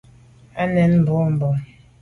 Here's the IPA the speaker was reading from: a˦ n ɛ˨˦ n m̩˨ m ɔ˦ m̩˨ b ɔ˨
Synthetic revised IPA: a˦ n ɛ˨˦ n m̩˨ b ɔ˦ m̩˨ b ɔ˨